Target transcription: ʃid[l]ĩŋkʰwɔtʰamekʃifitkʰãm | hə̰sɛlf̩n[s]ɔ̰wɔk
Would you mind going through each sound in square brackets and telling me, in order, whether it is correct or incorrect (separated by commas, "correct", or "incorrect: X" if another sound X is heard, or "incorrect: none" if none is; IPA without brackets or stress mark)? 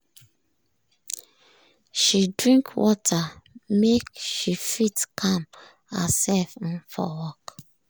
incorrect: ɹ, incorrect: f